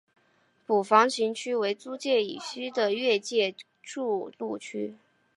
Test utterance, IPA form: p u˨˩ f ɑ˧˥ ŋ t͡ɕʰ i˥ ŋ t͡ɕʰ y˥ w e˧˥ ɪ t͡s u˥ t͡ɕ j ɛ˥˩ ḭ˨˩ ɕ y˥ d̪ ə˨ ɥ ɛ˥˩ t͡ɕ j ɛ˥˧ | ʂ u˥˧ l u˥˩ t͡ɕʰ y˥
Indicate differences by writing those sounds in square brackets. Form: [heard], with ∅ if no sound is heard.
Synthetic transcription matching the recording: p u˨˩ f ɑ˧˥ ŋ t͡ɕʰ [i˧˥] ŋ t͡ɕʰ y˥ w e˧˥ ɪ t͡s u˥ t͡ɕ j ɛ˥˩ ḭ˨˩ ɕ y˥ d̪ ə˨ ɥ [ɛ˥˧] t͡ɕ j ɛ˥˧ | [ʈ͡ʂ] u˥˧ l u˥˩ t͡ɕʰ y˥